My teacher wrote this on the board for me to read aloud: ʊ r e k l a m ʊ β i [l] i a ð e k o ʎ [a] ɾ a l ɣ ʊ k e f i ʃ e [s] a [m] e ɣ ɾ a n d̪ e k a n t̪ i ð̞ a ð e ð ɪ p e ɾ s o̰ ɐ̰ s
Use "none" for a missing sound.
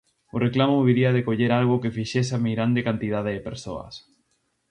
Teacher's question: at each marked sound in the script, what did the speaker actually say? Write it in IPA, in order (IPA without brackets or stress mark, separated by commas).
ɾ, e, s, m